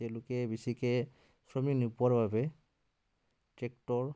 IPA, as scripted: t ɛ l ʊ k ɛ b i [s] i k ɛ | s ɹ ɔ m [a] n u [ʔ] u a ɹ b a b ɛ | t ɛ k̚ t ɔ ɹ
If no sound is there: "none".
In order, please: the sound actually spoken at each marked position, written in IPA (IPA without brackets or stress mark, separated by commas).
s, i, p